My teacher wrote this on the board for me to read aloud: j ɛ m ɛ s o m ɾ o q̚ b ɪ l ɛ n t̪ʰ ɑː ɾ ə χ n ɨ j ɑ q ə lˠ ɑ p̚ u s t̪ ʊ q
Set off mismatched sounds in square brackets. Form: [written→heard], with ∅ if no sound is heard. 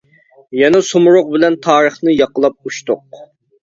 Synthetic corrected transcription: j ɛ [m→n] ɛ s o m ɾ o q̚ b ɪ l ɛ n t̪ʰ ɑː ɾ ə χ n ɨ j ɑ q ə lˠ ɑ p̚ u [s→ʃ] t̪ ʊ q